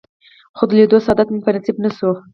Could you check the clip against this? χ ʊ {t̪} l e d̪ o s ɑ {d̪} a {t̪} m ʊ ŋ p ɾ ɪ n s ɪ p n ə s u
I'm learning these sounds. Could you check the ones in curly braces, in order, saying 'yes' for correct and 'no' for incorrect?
no, yes, yes

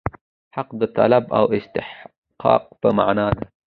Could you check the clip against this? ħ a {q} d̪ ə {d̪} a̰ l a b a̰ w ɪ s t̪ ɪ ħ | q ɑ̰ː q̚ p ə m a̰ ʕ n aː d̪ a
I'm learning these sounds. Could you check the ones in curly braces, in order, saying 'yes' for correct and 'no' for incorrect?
yes, no

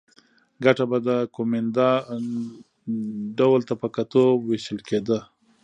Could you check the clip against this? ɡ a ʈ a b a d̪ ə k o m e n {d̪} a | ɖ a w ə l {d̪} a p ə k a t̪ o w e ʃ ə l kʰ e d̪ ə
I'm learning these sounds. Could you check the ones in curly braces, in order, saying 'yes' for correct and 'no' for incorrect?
yes, no

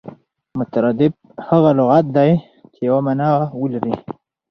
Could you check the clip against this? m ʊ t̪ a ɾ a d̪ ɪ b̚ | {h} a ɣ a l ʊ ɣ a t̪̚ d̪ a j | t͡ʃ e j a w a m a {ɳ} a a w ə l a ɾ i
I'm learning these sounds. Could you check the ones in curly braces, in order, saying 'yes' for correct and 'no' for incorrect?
yes, no

